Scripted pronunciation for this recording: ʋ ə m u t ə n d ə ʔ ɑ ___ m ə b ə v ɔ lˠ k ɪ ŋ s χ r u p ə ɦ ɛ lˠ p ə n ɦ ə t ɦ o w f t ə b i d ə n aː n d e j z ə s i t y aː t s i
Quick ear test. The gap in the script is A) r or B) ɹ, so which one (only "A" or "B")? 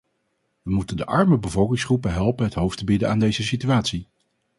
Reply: B